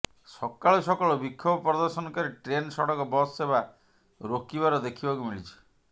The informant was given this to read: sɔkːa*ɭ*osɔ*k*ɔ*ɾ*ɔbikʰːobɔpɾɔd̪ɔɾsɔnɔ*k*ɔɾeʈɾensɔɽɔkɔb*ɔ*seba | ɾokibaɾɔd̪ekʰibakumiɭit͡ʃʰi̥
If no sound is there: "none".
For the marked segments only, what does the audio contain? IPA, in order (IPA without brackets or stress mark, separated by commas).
ɭ, k, ɭ, k, ɔ